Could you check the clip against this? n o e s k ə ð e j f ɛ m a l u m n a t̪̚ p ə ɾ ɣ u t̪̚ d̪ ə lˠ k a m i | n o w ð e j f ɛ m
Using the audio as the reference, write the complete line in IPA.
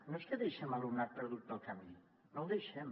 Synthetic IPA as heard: n o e s k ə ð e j ʃ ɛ m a l u m n a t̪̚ p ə ɾ ð u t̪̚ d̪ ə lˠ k a m i | n o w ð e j ʃ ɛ m